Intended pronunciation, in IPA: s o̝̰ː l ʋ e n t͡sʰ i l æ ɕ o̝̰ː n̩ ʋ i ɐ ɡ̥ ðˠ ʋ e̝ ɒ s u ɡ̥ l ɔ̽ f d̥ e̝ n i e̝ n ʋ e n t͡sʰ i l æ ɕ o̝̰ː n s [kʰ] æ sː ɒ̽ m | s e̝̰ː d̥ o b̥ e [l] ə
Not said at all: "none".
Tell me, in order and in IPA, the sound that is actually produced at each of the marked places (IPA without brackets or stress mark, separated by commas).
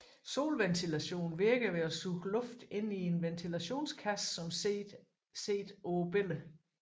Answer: kʰ, l